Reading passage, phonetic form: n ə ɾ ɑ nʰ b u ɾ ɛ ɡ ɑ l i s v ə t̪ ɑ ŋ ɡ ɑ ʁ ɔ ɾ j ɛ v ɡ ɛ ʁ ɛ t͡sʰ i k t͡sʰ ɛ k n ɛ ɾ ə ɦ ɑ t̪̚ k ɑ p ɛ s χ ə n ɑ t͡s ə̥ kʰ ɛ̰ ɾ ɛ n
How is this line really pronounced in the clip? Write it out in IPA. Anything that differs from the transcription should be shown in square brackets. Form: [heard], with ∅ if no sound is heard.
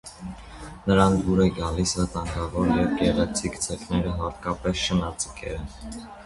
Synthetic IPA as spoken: n ə ɾ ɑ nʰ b u ɾ ɛ ɡ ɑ l i s v ə t̪ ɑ ŋ ɡ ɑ [v] ɔ ɾ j ɛ v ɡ ɛ ʁ ɛ t͡sʰ i k t͡sʰ ɛ k n ɛ ɾ ə ɦ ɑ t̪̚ k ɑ p ɛ s [ʃ] ə n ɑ t͡s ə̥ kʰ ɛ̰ ɾ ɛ n